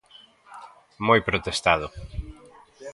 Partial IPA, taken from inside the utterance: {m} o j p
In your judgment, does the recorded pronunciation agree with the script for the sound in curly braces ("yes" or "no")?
yes